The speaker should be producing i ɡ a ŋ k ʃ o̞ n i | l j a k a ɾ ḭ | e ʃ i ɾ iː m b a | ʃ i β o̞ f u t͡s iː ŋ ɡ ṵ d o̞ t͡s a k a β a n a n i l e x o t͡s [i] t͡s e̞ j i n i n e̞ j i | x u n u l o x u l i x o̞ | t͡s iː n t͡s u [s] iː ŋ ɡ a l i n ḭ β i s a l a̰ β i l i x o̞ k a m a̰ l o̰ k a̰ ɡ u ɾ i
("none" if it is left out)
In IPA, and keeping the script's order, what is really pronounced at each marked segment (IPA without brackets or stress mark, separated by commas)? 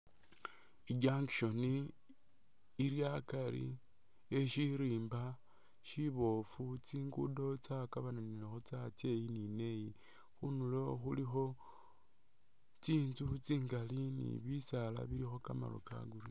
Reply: a, t͡s